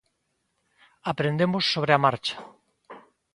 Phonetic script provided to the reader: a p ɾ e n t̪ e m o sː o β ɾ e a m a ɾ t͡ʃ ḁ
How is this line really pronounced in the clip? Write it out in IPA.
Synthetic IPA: a p ɾ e n d̪ e m o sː o β ɾ e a m a ɾ t͡ʃ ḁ

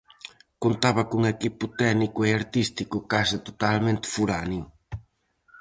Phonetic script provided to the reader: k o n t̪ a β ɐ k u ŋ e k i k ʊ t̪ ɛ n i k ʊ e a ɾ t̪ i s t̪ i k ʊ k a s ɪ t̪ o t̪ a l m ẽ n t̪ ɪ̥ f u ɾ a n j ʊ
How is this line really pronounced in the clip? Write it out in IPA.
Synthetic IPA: k o n t̪ a β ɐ k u ŋ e k i p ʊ t̪ ɛ n i k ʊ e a ɾ t̪ i s t̪ i k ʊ k a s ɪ t̪ o t̪ a l m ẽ n t̪ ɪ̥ f u ɾ a n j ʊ

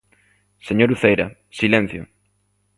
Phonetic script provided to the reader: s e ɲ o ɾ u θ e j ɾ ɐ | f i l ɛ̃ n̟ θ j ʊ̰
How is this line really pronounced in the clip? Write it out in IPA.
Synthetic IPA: s e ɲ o ɾ u θ e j ɾ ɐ | s i l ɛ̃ n̟ θ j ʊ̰

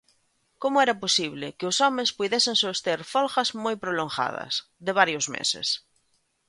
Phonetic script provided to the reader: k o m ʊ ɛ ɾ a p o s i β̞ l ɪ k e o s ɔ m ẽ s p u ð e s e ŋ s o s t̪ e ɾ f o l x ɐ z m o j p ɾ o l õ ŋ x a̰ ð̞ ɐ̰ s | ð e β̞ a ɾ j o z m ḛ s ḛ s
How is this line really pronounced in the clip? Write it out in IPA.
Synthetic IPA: k o m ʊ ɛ ɾ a p o s i β̞ l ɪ k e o s ɔ m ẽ s p u ð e s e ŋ s o s t̪ e ɾ f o l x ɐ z m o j p ɾ o l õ ŋ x a̰ ð̞ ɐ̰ s | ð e β̞ a ɾ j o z m ḛ s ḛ s

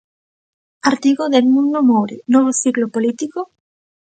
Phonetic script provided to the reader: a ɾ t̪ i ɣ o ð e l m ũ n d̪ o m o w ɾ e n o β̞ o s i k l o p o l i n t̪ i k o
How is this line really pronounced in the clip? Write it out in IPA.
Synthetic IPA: a ɾ t̪ i ɣ o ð e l m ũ n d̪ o m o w ɾ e n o β̞ o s i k l o p o l i t̪ i k o

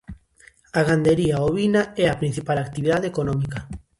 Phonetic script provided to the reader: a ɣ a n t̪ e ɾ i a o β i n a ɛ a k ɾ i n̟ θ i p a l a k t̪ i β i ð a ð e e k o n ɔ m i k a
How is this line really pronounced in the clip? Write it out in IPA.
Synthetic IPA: a ɣ a n d̪ e ɾ i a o β i n a ɛ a p ɾ i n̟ θ i p a l a k t̪ i β i ð a ð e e k o n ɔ m i k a

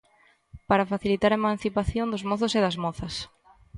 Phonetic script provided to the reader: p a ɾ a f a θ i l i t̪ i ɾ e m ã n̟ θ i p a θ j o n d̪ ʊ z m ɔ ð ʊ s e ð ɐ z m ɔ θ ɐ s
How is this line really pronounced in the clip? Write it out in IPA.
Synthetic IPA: p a ɾ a f a θ i l i t̪ a ɾ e m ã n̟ θ i p a θ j o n d̪ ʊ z m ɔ θ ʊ s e ð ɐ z m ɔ θ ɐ s

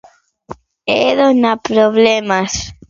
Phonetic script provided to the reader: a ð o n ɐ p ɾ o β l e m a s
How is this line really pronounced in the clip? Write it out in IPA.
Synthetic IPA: e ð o n a p ɾ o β l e m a s

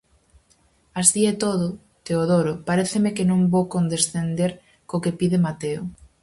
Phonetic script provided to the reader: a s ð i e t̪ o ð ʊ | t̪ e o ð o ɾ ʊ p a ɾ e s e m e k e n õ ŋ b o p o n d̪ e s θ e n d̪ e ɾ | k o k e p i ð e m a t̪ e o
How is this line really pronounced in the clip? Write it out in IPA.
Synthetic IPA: a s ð i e t̪ o ð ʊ | t̪ e o ð o ɾ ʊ p a ɾ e θ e m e k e n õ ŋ b o k o n d̪ e s θ e n d̪ e ɾ | k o k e p i ð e m a t̪ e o

